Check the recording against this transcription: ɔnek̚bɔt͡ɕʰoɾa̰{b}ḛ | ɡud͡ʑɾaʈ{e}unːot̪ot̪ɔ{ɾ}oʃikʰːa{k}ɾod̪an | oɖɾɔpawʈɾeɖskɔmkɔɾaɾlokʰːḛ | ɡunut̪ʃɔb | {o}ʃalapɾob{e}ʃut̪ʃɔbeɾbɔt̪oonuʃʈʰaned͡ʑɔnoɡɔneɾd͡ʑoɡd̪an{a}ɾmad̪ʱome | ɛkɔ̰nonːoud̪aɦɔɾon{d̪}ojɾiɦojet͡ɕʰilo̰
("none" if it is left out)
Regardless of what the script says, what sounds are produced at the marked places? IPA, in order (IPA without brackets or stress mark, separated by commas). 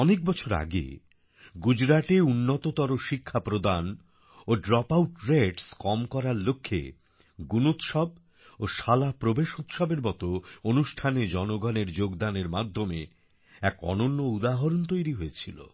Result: ɡ, e, ɾ, p, o, e, e, t̪